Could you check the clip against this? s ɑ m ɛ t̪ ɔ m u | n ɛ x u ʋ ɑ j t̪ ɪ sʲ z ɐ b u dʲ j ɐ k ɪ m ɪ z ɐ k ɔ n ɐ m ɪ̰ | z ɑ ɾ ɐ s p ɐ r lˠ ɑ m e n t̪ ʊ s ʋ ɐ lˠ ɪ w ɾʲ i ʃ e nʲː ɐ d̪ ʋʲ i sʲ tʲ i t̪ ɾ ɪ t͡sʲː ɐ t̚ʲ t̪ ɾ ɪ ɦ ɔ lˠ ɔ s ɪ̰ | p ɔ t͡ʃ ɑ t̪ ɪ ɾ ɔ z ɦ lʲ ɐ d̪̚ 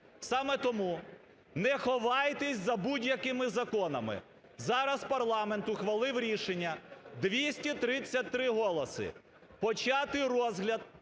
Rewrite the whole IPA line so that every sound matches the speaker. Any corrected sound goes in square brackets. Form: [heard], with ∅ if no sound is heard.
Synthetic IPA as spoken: s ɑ m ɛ t̪ ɔ m u | n ɛ x [ɔ] ʋ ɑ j t̪ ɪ sʲ z ɐ b u dʲ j ɐ k ɪ m ɪ z ɐ k ɔ n ɐ m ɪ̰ | z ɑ ɾ ɐ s p ɐ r lˠ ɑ m e n t̪ ʊ [x] ʋ ɐ lˠ ɪ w ɾʲ i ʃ e nʲː ɐ d̪ ʋʲ i sʲ tʲ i t̪ ɾ ɪ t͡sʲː ɐ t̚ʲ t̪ ɾ ɪ ɦ ɔ lˠ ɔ s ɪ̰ | p ɔ t͡ʃ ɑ t̪ ɪ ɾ ɔ z ɦ lʲ ɐ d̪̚